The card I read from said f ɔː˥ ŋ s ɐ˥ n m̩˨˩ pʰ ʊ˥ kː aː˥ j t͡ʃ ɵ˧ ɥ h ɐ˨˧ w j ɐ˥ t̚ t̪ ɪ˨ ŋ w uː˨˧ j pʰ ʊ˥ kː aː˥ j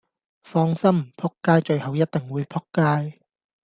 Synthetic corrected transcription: f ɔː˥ ŋ s ɐ˥ m m̩˨˩ pʰ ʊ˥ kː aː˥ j t͡ʃ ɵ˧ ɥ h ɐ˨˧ w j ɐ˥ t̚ t̪ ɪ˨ ŋ w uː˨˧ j pʰ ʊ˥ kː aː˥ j